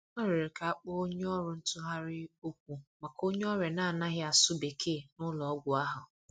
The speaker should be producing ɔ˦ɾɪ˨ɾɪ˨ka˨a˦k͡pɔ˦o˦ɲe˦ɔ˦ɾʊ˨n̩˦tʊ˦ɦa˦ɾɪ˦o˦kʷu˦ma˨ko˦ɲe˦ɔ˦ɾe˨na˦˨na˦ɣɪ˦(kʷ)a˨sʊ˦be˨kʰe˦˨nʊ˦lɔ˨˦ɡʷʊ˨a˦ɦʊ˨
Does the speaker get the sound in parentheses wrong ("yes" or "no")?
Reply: yes